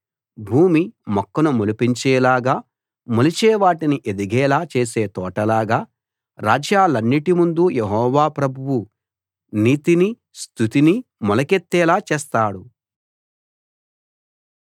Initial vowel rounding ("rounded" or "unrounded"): rounded